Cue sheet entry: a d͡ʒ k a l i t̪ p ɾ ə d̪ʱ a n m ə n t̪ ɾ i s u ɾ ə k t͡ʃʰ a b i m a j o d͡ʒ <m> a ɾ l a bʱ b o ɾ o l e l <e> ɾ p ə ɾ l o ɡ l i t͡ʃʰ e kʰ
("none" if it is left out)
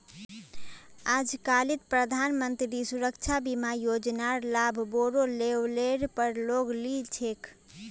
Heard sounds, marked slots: n, e

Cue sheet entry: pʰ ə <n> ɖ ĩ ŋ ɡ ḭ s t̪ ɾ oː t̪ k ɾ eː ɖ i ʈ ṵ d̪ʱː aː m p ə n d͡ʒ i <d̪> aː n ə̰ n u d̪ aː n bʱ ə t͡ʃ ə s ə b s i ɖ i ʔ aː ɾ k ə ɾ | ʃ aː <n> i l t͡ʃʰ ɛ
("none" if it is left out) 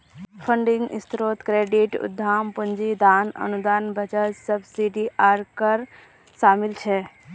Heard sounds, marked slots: ɳ, d̪, m

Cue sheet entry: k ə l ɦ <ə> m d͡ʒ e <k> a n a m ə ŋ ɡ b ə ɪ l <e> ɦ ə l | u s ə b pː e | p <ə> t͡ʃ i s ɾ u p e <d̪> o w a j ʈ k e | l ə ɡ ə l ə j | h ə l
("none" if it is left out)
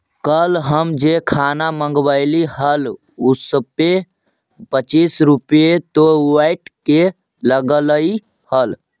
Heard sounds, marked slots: ə, kʰ, i, ə, t̪

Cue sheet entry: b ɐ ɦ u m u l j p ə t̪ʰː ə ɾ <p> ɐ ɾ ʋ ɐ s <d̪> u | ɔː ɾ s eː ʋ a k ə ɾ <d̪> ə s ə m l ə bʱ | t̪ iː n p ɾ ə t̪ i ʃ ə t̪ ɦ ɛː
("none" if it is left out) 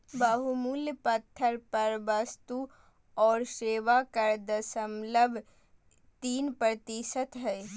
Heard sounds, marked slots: p, t̪, d̪

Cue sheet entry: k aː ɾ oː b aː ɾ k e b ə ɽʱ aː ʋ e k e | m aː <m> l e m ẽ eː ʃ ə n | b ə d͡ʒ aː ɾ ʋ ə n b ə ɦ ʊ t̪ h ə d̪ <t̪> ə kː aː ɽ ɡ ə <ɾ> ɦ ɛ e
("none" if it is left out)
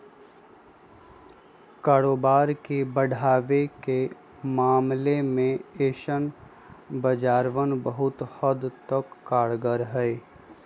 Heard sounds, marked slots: m, t̪, ɾ

